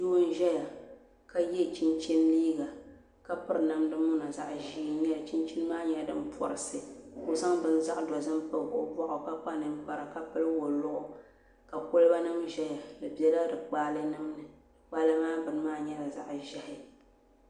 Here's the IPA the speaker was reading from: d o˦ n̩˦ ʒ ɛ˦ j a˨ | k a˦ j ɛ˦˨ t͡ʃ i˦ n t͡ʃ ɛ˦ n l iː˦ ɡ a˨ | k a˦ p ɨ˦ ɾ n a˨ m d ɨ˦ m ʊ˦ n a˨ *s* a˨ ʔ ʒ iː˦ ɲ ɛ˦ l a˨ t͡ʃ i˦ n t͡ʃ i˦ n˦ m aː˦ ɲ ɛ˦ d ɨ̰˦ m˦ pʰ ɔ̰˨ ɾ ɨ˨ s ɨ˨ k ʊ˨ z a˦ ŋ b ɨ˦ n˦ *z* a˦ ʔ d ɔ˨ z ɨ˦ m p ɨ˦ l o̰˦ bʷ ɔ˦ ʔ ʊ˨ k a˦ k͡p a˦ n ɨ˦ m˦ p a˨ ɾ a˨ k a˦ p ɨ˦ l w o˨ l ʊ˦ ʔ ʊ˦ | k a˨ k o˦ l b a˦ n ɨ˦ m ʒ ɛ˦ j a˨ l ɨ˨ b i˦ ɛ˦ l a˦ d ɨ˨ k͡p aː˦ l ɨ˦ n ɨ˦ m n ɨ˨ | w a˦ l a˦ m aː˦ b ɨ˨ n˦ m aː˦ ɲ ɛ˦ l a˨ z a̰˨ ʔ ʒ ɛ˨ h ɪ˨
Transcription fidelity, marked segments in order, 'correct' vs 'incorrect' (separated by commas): incorrect, correct